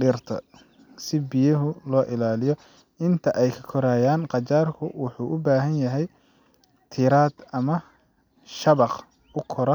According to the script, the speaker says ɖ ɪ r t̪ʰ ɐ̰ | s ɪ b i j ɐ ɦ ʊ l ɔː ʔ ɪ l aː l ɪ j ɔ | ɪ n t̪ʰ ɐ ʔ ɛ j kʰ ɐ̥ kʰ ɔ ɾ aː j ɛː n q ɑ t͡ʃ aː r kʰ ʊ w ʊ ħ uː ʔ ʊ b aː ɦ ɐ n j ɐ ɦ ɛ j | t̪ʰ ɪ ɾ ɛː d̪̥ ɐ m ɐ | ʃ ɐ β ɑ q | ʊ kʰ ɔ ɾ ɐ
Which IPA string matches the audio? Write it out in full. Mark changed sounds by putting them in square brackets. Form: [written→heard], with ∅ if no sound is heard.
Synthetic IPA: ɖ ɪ r t̪ʰ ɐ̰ | s ɪ b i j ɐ ɦ ʊ l ɔː ʔ ɪ l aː l ɪ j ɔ | ɪ n t̪ʰ ɐ ʔ ɛ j kʰ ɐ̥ kʰ ɔ ɾ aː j [ɛː→aː] n q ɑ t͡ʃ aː r kʰ ʊ w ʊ ħ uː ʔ ʊ b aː ɦ ɐ n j ɐ ɦ ɛ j | t̪ʰ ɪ ɾ [ɛː→aː] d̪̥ ɐ m ɐ | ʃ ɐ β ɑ q | ʊ kʰ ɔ ɾ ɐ